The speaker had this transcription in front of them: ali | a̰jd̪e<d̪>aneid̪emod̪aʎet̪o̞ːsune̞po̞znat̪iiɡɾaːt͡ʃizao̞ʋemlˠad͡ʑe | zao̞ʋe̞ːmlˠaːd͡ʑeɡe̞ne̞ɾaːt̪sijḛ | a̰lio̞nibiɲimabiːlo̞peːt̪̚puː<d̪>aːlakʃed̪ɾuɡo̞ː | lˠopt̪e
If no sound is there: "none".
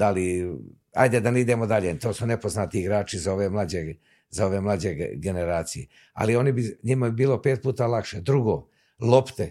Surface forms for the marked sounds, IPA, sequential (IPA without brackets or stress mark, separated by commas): d̪, t̪